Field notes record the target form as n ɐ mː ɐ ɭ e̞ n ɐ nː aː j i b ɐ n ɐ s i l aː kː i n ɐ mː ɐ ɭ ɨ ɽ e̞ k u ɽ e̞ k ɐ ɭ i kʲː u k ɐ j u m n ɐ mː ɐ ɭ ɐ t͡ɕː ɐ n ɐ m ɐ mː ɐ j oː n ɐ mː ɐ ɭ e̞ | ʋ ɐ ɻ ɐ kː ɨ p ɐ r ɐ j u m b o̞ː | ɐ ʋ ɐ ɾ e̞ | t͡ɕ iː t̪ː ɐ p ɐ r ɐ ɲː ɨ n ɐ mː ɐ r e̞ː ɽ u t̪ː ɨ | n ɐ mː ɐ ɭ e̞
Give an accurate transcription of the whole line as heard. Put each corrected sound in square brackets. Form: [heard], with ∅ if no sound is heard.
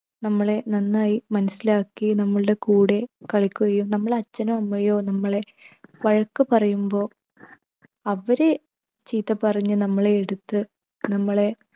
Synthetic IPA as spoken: n ɐ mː ɐ ɭ e̞ n ɐ nː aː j i [m] ɐ n ɐ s i l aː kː i n ɐ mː ɐ ɭ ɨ ɽ e̞ k [uː] ɽ e̞ k ɐ ɭ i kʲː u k ɐ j u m n ɐ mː ɐ ɭ ɐ t͡ɕː ɐ n ɐ m ɐ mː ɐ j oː n ɐ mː ɐ ɭ e̞ | ʋ ɐ ɻ ɐ kː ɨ p ɐ r ɐ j u m b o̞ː | ɐ ʋ ɐ ɾ e̞ | t͡ɕ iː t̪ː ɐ p ɐ r ɐ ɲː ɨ n ɐ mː ɐ [ɭ] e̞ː ɽ u t̪ː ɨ | n ɐ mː ɐ ɭ e̞